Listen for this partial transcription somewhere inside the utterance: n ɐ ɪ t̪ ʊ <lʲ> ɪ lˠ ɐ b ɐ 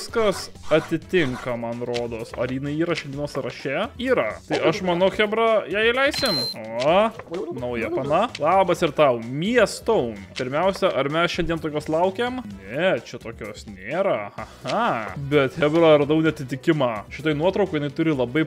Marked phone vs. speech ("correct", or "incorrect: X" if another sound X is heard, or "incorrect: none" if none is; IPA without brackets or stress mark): incorrect: ɾʲ